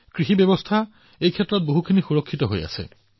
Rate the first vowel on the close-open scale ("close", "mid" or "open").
close